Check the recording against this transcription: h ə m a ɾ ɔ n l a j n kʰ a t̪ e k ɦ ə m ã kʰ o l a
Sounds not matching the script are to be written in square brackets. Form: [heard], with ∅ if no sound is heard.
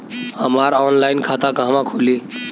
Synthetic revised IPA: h ə m a ɾ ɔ n l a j n kʰ a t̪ [a] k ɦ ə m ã kʰ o l [i]